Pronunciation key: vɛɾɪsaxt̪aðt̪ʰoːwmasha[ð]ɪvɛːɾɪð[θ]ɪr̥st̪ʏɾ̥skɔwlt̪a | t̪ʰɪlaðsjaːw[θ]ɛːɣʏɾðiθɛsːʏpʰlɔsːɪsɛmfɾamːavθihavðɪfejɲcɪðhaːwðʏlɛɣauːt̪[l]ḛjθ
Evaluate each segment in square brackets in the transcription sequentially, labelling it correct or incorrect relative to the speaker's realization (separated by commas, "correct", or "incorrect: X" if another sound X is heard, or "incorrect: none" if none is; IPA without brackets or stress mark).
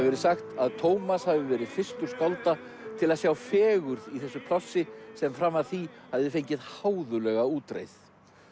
incorrect: v, incorrect: f, incorrect: f, incorrect: ɾ